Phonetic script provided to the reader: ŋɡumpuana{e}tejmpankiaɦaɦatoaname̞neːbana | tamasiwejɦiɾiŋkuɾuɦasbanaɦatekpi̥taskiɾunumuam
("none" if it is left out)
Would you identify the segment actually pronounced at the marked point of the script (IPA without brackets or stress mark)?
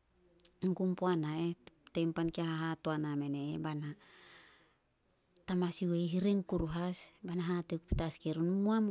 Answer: e